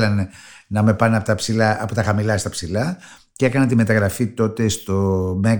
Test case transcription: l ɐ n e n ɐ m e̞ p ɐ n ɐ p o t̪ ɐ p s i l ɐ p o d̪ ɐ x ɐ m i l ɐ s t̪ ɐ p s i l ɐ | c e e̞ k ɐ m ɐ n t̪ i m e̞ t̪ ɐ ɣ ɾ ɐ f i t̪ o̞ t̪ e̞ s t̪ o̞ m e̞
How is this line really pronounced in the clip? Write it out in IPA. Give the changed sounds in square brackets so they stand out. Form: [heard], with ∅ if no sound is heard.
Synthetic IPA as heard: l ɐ n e n ɐ m e̞ p ɐ n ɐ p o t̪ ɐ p s i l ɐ p o [t̪] ɐ x ɐ m i l ɐ s t̪ ɐ p s i l ɐ | c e e̞ k ɐ [n] ɐ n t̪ i m e̞ t̪ ɐ ɣ ɾ ɐ f i t̪ o̞ t̪ e̞ s t̪ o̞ m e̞